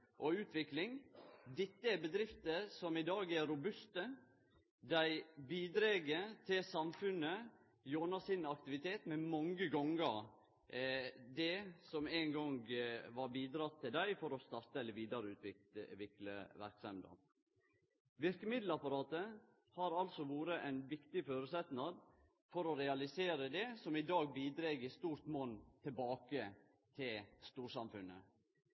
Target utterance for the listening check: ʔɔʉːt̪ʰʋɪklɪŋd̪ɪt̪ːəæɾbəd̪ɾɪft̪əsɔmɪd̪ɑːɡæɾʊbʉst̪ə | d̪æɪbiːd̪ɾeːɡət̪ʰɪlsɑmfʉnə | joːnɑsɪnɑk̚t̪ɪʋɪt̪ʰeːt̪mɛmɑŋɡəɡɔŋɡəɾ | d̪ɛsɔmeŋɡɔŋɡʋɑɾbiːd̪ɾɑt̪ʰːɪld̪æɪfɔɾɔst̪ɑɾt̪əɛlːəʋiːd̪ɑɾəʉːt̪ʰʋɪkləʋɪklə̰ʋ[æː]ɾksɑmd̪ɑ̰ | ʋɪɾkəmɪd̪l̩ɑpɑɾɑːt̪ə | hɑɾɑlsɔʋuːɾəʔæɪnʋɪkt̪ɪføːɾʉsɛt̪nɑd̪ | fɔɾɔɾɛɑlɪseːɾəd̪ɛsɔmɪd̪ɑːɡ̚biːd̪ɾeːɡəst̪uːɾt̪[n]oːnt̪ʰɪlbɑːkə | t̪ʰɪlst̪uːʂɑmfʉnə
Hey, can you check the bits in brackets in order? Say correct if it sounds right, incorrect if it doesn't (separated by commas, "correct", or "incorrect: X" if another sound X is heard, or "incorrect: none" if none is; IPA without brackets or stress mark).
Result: incorrect: æ, incorrect: m